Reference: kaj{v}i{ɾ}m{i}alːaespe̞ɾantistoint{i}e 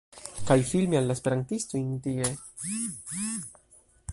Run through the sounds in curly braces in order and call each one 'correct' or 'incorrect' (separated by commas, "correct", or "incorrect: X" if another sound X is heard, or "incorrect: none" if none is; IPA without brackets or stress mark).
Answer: incorrect: f, incorrect: l, correct, correct